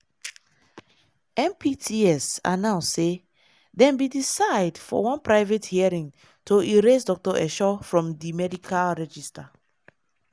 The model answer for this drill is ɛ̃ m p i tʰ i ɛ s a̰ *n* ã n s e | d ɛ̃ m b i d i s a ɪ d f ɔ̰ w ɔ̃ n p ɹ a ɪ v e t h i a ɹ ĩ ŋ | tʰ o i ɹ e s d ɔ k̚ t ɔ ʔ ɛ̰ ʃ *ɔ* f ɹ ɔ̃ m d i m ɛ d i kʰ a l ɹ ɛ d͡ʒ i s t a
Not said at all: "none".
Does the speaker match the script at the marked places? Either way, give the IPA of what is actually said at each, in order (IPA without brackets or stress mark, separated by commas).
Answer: n, ɔ